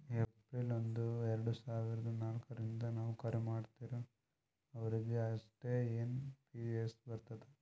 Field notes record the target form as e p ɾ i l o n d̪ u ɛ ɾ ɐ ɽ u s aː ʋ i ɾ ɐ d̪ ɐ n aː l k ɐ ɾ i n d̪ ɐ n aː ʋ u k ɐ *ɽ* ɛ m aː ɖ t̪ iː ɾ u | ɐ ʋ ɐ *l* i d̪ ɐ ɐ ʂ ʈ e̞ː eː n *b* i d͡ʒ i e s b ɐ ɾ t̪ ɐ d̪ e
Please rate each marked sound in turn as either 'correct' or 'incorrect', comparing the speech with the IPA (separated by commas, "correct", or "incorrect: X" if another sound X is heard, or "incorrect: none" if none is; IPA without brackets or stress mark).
incorrect: ɾ, incorrect: ɾ, incorrect: p